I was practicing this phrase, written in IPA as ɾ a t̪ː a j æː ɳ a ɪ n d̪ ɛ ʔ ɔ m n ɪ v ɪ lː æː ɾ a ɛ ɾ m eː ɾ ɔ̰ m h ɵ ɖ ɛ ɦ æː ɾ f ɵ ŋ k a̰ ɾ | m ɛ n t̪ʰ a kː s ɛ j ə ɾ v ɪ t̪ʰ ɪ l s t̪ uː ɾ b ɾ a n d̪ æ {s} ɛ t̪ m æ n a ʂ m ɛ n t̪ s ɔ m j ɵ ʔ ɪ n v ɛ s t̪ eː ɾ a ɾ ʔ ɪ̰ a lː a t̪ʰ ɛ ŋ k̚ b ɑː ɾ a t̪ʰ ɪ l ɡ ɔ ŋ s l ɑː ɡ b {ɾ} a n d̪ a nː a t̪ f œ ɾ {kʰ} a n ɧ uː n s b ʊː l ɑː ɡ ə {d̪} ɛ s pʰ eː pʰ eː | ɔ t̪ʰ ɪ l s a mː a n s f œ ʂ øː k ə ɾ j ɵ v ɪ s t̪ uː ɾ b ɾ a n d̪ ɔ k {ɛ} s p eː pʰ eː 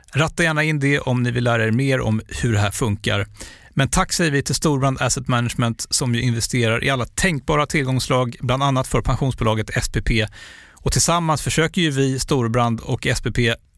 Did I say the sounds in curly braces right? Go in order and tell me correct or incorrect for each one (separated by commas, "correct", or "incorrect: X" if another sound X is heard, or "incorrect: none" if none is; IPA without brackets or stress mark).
correct, incorrect: l, incorrect: pʰ, incorrect: t̪, correct